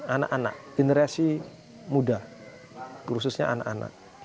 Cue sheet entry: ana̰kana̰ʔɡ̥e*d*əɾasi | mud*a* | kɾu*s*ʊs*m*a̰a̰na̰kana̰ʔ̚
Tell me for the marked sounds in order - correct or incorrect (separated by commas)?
incorrect, correct, correct, incorrect